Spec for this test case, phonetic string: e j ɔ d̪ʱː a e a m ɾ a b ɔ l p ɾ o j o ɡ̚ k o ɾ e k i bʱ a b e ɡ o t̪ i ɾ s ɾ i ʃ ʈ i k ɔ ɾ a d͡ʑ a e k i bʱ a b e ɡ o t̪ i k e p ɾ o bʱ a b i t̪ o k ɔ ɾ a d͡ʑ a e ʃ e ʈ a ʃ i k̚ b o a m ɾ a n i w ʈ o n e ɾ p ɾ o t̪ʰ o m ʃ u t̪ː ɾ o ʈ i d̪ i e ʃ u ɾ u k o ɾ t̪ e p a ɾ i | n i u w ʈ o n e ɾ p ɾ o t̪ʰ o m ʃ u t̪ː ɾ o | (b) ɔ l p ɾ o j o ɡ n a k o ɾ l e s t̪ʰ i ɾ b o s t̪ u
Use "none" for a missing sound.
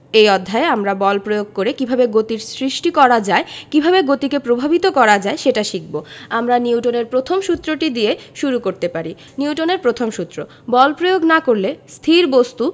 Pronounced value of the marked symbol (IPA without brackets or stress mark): b